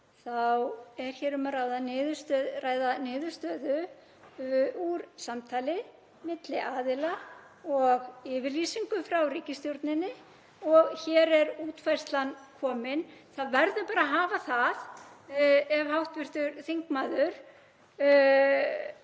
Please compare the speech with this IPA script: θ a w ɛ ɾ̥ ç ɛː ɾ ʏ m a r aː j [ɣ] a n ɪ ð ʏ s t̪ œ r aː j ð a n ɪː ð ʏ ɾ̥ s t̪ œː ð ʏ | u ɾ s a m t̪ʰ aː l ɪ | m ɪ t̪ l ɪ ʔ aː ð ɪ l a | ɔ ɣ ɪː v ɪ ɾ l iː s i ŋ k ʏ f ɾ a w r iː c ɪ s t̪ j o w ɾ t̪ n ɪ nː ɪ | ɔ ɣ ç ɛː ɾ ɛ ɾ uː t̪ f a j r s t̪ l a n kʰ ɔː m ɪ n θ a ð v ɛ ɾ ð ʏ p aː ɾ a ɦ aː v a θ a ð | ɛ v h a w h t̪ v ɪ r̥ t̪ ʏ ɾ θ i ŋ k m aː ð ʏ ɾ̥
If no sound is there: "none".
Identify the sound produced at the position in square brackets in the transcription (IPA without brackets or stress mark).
ð